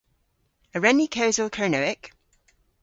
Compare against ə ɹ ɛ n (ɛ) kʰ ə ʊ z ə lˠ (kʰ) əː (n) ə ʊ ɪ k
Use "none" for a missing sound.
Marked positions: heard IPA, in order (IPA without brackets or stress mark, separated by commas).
i, kʰ, n